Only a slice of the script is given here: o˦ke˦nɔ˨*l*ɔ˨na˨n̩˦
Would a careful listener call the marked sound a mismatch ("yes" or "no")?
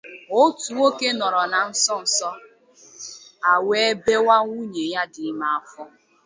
yes